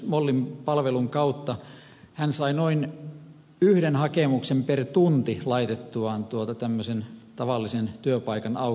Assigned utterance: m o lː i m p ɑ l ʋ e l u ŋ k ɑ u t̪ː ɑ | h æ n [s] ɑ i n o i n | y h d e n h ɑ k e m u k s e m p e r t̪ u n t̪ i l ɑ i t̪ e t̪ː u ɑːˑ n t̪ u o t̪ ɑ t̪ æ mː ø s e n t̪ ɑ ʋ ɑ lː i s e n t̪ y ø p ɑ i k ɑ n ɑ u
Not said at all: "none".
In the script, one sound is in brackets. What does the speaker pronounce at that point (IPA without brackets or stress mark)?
s